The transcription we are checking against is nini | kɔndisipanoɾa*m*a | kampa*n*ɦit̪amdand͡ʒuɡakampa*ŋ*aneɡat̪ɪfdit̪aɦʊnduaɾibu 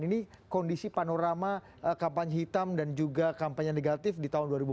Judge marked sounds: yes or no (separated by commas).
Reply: yes, no, no